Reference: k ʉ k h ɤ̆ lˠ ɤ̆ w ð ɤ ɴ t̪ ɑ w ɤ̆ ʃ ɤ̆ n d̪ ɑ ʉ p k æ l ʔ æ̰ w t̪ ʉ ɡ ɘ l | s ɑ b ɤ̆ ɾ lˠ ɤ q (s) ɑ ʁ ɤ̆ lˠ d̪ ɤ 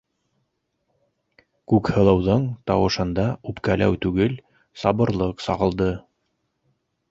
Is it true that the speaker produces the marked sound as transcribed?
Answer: yes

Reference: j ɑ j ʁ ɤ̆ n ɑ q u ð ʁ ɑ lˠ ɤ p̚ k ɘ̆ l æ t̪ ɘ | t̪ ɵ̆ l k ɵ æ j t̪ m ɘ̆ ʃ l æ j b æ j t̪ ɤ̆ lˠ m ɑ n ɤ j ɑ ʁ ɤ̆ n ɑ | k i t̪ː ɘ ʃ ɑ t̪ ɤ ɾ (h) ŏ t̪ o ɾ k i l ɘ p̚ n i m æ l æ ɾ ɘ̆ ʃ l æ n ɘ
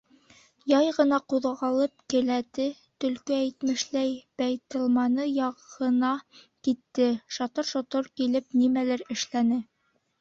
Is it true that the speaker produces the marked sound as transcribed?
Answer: no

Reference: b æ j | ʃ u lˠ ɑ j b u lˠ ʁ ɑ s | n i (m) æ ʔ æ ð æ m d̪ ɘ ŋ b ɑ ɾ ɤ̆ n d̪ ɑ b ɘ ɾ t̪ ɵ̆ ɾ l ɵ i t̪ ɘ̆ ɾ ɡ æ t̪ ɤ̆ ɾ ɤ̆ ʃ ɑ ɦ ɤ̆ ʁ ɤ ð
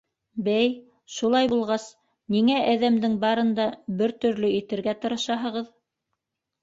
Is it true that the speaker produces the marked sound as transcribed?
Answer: no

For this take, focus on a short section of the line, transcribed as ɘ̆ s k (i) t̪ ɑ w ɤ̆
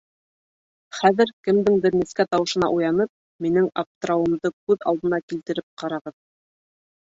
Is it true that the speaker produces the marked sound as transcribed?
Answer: no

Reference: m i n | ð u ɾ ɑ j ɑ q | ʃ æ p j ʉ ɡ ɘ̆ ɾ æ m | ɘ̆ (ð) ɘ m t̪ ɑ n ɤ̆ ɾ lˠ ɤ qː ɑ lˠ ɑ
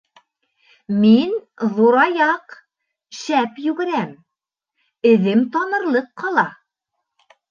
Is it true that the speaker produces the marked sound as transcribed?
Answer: yes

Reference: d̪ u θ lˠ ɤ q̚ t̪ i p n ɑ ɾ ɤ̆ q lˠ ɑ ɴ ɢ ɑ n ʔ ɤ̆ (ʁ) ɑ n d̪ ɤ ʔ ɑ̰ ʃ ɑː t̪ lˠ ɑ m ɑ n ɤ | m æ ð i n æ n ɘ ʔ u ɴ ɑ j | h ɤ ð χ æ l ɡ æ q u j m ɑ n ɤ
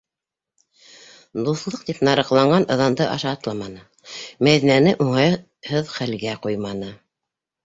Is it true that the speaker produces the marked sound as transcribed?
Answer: no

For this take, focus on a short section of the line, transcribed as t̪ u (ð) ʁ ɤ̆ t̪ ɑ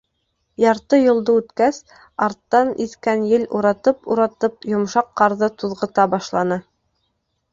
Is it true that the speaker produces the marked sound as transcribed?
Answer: yes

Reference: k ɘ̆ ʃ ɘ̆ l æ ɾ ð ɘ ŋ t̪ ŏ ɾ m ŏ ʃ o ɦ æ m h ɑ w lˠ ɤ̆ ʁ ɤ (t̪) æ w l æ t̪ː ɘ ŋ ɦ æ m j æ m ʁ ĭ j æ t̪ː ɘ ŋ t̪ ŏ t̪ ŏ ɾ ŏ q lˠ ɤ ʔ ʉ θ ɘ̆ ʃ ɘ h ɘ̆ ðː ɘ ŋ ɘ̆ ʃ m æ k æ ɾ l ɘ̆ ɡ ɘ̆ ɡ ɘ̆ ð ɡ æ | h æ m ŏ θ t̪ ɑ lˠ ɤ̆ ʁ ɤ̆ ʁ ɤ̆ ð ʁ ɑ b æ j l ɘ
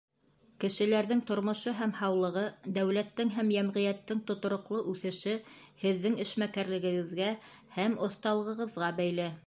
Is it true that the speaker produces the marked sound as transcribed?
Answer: no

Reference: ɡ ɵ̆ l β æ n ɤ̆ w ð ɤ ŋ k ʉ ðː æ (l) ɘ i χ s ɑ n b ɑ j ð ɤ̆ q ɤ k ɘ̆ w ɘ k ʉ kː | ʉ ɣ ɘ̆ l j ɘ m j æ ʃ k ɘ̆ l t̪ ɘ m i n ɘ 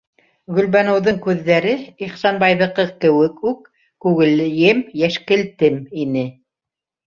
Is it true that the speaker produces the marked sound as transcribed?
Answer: no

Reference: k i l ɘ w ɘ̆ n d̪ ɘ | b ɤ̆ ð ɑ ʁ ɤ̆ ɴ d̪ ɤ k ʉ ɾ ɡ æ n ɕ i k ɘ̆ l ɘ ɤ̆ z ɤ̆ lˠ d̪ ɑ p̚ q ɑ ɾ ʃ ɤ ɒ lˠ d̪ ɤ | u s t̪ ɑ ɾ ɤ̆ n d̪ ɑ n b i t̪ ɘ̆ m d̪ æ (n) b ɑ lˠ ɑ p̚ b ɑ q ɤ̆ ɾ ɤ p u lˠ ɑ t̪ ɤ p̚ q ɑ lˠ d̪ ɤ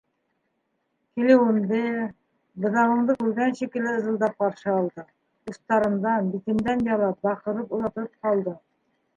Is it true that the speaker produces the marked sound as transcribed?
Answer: yes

